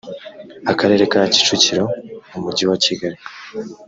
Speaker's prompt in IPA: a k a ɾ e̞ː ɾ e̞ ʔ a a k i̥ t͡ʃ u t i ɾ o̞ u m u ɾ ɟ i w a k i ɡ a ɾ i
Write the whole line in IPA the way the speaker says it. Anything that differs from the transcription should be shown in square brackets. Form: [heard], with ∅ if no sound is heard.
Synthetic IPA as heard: a k a ɾ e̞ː ɾ e̞ [k] a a [c] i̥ t͡ʃ u [c] i ɾ o̞ u m u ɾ ɟ i w a [c] i ɡ a ɾ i